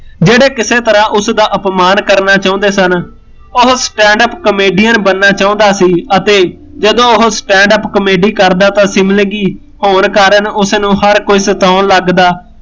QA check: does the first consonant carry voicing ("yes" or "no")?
yes